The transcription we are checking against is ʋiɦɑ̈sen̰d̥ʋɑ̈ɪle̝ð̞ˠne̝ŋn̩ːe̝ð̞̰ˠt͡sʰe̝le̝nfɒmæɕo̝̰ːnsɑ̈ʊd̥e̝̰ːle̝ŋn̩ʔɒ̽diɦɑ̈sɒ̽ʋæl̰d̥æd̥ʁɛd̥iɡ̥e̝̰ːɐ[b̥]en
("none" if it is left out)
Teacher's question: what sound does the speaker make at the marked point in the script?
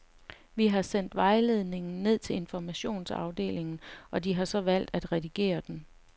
d̥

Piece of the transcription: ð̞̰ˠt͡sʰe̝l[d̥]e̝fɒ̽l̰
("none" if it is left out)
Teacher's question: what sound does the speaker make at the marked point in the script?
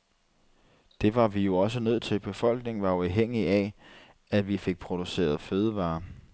b̥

